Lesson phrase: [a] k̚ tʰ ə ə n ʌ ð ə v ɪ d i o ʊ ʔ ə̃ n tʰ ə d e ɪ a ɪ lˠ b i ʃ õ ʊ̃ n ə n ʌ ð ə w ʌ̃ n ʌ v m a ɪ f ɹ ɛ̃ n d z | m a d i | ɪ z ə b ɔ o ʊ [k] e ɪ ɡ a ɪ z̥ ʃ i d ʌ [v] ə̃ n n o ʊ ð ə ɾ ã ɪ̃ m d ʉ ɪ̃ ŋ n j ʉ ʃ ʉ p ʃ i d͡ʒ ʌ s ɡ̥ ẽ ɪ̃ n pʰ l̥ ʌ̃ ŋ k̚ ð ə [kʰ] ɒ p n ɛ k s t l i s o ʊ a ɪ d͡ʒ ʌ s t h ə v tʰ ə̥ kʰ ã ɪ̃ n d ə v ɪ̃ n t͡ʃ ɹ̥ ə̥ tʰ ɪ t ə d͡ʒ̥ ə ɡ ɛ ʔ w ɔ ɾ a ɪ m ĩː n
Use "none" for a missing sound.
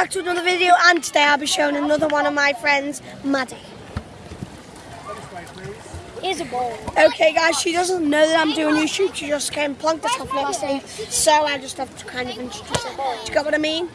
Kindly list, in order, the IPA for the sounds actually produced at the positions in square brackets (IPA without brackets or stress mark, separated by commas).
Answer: a, kʰ, z, tʰ